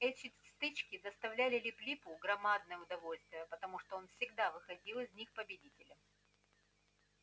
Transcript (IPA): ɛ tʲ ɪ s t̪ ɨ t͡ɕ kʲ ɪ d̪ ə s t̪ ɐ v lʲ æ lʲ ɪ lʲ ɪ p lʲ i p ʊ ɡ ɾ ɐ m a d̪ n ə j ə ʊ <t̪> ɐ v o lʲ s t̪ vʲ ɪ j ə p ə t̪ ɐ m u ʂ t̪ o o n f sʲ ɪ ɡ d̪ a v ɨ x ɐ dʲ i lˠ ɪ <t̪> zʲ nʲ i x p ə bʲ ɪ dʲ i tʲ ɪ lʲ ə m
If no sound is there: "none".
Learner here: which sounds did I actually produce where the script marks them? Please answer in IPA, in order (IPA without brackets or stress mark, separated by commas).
d̪, none